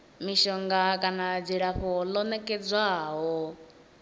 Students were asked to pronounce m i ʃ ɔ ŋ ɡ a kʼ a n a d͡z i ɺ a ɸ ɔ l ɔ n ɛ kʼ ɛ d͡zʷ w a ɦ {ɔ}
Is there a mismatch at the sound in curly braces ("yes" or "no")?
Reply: no